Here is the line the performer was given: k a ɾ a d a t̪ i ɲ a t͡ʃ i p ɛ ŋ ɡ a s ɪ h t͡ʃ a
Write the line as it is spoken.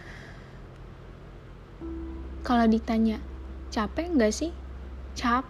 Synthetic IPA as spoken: k a l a d i t̪ a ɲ a t͡ʃ a p ɛ ŋ ɡ a s ɪ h t͡ʃ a